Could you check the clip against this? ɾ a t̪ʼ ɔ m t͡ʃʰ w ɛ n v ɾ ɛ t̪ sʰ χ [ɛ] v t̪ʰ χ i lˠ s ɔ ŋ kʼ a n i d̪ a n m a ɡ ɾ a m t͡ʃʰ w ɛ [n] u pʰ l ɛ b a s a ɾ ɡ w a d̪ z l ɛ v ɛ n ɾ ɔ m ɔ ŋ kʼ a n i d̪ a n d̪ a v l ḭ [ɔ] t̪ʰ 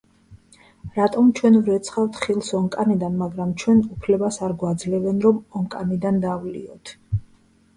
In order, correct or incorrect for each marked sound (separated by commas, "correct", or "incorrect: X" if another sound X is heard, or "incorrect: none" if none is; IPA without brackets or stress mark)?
incorrect: a, correct, correct